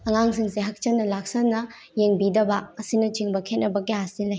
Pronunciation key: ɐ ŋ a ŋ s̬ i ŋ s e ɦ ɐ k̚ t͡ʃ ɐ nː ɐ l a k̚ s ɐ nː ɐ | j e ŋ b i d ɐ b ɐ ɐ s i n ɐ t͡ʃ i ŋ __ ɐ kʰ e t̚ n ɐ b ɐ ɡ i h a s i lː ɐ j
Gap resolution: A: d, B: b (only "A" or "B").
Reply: B